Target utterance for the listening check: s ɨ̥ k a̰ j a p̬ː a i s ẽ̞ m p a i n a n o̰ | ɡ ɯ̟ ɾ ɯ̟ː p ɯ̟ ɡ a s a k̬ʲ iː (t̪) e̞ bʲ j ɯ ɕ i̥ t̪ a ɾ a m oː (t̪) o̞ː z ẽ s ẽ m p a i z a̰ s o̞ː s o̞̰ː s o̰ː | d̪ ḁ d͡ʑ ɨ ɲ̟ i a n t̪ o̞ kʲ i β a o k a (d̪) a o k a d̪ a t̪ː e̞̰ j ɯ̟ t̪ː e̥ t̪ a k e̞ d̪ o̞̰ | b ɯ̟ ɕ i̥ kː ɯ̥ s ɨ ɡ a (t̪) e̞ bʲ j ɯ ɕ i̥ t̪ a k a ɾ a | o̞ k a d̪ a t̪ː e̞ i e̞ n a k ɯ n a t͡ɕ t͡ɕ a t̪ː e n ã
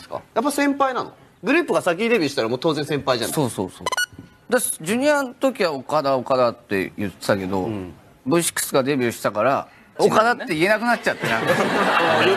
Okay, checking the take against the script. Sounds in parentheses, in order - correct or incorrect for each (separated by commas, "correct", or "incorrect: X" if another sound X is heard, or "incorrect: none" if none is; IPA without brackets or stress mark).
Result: incorrect: d̪, correct, correct, incorrect: d̪